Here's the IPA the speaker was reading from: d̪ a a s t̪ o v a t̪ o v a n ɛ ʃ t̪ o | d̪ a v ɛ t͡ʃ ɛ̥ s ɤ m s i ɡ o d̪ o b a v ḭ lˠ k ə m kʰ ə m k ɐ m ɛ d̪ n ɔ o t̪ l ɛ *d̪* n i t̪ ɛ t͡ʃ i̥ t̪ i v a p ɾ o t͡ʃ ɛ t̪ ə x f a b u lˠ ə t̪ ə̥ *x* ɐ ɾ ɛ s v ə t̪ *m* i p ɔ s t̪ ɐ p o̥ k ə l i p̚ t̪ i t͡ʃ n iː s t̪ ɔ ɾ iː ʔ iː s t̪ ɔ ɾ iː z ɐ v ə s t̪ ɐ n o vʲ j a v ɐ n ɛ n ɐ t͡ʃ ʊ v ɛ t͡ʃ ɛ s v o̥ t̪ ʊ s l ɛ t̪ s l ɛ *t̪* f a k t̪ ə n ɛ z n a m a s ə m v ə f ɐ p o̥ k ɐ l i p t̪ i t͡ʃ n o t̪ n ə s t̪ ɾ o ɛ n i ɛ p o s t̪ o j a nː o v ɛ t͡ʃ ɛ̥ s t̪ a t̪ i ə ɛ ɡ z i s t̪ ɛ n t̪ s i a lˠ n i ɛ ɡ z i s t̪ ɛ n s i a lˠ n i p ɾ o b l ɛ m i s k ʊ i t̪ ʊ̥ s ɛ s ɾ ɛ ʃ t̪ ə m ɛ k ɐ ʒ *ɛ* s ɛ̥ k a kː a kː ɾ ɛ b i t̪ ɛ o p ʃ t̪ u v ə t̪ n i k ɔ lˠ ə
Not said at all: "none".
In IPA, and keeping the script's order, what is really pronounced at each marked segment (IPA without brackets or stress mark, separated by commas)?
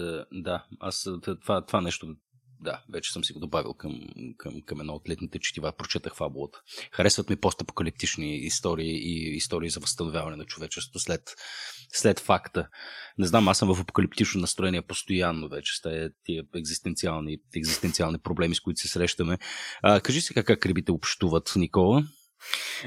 t̪, x, m, t̪, i